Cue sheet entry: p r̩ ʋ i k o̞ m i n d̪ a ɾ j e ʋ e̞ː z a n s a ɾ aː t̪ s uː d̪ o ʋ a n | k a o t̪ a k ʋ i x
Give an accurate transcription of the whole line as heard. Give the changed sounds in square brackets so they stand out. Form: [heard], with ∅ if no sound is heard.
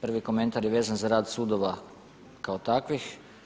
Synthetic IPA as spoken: p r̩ ʋ i k o̞ m [e] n [t̪] a ɾ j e ʋ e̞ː z a n [z] a ɾ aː [d̪] s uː d̪ o ʋ a [∅] | k a o t̪ a k ʋ i x